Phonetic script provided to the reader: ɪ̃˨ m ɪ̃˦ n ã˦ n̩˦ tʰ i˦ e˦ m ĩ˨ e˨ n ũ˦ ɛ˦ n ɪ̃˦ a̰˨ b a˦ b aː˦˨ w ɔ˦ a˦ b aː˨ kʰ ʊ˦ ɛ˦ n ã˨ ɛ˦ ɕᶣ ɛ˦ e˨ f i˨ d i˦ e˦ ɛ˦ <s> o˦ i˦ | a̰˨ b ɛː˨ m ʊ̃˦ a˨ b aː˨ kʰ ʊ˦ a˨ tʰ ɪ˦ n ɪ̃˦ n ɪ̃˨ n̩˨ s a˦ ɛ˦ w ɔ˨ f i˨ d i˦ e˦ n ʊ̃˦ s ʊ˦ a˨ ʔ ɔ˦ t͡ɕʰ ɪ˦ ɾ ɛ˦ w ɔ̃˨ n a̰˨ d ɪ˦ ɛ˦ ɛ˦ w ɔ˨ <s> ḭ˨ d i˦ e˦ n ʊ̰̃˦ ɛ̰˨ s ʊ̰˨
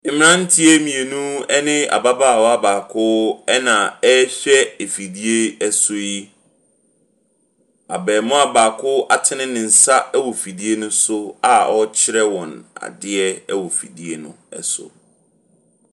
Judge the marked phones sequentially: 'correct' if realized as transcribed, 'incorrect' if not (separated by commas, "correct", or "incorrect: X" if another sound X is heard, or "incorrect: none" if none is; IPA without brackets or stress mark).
correct, incorrect: f